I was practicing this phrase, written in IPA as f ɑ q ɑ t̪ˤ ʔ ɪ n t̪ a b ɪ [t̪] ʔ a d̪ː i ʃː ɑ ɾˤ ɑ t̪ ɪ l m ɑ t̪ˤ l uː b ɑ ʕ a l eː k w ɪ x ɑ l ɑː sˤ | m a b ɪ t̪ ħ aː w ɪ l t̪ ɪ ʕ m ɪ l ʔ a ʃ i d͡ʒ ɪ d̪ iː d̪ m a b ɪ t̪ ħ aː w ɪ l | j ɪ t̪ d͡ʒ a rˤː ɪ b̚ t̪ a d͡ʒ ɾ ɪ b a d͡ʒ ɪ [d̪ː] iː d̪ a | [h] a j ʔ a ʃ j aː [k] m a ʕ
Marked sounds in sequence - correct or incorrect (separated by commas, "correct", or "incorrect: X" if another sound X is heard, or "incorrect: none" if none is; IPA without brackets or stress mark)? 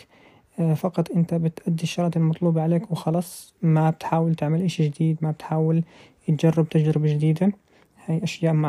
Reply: correct, incorrect: d̪, correct, incorrect: ʔ